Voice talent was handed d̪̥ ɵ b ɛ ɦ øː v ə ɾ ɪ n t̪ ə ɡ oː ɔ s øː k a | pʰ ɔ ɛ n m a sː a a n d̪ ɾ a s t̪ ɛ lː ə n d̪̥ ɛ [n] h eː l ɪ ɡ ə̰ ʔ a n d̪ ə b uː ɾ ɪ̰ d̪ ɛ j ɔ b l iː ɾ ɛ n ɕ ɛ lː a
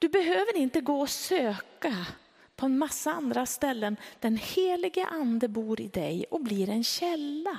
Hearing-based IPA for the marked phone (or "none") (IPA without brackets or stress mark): n